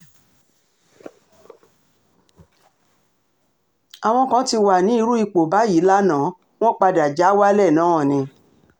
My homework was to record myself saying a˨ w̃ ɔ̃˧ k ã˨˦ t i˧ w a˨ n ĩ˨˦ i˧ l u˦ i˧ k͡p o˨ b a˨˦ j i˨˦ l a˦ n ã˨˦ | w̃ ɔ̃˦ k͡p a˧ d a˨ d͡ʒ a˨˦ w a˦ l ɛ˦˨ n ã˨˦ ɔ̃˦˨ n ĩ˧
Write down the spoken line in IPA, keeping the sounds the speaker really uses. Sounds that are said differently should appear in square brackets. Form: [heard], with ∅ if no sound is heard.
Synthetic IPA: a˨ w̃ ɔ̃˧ k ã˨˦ t i˧ w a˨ n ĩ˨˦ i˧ [ɾ] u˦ i˧ k͡p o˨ b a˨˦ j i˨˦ l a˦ n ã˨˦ | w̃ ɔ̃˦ k͡p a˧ d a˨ d͡ʒ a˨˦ w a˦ l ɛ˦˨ n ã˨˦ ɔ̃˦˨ n ĩ˧

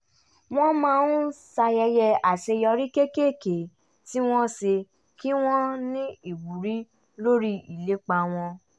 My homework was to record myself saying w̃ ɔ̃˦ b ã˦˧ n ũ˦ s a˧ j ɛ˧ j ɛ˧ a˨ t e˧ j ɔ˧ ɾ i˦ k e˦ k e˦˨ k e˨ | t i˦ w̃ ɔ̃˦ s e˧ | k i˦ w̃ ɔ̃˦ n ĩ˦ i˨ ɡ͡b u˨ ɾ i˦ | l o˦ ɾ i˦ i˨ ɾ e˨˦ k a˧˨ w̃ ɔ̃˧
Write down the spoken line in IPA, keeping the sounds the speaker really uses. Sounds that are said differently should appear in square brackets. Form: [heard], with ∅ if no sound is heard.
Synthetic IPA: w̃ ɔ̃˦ [m] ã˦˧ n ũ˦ s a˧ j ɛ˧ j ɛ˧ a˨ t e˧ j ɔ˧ ɾ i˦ k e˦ k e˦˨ k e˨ | t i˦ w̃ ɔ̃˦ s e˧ | k i˦ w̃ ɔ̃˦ n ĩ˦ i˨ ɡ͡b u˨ ɾ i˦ | l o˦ ɾ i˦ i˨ [l] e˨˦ [k͡p] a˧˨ w̃ ɔ̃˧

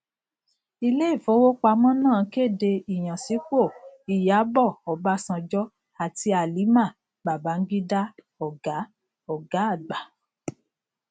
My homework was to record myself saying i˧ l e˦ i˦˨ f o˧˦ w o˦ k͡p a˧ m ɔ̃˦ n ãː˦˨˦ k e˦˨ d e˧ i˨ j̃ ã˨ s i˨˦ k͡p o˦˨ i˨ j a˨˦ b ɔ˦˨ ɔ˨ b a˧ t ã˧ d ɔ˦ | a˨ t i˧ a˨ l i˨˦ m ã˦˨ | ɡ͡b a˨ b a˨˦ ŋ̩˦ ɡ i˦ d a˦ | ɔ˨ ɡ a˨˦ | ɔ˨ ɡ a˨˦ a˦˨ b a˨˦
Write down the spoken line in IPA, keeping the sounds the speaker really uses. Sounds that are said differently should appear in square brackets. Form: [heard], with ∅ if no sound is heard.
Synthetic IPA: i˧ l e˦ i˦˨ f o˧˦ w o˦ k͡p a˧ m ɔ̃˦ n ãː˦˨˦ k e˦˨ d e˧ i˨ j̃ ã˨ s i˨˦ k͡p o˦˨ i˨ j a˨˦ b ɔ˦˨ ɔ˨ b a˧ [s] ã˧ [d͡ʒ] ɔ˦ | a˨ t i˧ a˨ l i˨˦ m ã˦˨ | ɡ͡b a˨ b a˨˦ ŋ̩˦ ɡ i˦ d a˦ | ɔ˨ ɡ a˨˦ | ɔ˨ ɡ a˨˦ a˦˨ [ɡ͡b] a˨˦

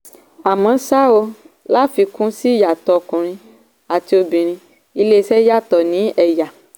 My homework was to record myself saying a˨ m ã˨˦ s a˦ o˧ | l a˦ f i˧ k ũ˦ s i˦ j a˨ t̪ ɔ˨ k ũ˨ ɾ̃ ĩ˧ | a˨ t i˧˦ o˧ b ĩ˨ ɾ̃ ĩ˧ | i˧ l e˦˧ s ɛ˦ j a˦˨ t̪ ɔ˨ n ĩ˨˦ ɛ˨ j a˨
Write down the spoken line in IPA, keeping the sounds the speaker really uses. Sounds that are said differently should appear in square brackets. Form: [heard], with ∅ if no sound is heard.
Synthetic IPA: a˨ m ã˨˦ s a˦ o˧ | l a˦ f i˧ k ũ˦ s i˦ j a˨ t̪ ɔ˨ k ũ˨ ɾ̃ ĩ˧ | a˨ t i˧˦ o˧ b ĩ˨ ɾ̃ ĩ˧ | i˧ l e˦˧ s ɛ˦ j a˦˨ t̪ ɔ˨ n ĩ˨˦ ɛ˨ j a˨

